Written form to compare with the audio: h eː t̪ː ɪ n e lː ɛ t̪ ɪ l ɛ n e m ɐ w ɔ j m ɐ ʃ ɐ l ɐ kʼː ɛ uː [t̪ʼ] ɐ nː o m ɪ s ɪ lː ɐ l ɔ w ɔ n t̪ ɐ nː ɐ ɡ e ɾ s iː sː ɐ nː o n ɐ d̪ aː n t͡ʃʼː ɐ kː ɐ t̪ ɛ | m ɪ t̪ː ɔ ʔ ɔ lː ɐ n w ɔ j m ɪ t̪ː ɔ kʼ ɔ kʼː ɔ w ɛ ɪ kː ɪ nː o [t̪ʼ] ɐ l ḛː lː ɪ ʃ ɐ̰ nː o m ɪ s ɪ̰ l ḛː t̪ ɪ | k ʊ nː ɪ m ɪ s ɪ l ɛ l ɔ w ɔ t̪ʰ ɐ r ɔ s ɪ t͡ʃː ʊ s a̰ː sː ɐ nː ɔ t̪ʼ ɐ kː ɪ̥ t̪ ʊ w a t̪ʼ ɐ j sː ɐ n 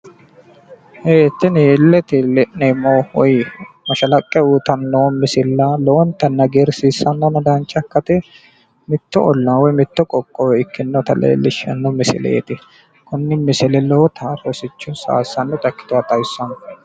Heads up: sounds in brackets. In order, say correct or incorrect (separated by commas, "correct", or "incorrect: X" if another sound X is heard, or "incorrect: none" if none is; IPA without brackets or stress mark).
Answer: incorrect: t̪, incorrect: t̪